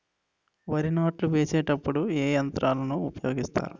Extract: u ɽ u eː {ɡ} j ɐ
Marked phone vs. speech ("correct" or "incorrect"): incorrect